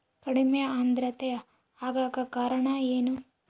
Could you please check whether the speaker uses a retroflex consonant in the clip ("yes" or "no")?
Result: yes